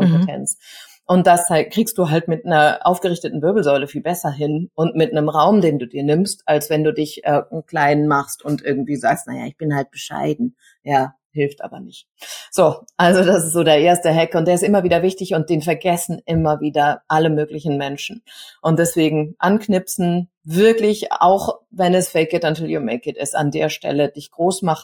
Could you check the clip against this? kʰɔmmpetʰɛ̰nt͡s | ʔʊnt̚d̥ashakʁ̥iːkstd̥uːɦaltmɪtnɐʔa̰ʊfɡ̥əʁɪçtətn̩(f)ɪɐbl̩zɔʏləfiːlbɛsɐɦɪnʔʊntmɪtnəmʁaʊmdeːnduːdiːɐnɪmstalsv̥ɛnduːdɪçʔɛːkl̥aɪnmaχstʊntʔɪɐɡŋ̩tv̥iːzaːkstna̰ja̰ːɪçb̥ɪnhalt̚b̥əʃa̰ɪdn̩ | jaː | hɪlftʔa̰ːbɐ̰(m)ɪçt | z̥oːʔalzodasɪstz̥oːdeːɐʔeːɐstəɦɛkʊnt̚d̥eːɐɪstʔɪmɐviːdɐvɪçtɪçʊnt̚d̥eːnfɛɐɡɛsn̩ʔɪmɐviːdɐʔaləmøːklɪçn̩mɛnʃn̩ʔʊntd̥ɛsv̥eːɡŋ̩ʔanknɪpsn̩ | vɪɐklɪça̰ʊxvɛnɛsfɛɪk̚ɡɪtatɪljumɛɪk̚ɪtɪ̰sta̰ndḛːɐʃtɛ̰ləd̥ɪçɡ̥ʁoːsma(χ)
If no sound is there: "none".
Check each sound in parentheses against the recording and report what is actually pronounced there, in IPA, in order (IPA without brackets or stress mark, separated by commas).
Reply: v, n, χ